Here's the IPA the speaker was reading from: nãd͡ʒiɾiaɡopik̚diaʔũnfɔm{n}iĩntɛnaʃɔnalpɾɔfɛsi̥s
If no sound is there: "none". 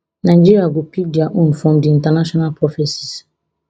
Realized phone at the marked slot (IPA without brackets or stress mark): d